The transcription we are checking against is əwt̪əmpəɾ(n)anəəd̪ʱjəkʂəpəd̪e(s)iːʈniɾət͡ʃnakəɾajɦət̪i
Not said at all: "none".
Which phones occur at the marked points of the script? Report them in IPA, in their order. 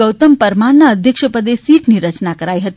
m, s

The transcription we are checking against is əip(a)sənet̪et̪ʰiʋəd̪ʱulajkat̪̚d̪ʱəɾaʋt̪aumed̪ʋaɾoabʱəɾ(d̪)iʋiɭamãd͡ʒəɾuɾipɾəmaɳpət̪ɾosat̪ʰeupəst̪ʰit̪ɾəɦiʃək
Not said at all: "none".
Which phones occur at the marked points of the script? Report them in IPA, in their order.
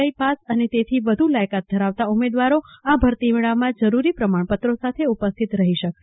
a, t̪

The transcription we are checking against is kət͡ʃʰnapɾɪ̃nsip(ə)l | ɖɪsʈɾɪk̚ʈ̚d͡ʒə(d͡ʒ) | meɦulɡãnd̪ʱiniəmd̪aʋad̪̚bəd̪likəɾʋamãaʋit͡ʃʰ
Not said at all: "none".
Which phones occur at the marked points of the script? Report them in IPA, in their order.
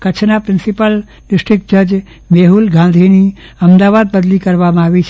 ə, d͡ʒ

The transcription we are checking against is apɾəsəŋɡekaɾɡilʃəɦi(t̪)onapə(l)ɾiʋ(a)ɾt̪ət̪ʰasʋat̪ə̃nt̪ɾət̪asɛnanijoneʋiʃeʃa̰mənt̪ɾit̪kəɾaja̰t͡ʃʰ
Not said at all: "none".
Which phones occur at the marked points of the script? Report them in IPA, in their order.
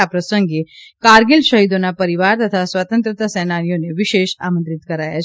d̪, none, a

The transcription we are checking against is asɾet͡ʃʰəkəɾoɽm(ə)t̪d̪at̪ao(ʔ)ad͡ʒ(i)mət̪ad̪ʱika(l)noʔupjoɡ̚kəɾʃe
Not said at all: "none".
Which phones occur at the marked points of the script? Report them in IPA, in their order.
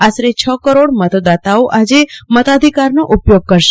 ə, ʔ, e, ɾ

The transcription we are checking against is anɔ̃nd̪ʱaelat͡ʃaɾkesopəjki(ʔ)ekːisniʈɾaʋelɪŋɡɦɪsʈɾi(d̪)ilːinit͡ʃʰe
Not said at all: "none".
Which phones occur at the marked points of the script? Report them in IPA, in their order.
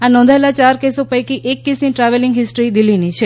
ʔ, d̪

